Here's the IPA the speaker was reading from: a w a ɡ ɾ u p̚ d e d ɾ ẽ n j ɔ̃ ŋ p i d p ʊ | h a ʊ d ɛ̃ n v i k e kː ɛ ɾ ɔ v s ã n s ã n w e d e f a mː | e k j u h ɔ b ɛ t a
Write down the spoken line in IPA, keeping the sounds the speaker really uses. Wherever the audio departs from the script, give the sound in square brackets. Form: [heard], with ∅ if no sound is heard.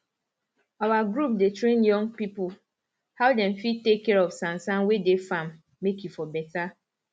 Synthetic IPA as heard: a w a ɡ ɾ u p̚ d e [t] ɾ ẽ n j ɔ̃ ŋ p i [∅] p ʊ | h a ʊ d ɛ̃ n [f] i [t] e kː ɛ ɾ ɔ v s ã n s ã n w e d e f a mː | e k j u [f] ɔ b ɛ t a